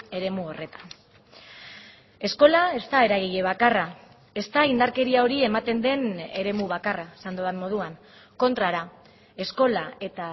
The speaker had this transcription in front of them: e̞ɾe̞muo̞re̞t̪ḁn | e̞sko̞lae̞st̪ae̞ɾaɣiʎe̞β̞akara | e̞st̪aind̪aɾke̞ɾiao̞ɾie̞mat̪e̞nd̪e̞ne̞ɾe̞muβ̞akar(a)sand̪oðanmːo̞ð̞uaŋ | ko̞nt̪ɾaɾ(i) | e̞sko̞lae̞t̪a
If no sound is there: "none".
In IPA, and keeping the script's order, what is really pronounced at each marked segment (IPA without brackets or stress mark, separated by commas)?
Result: a, a